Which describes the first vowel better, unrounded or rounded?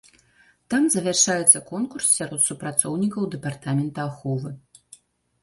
unrounded